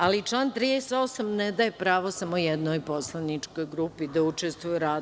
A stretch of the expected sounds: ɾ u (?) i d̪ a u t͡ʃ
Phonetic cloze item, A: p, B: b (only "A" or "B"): A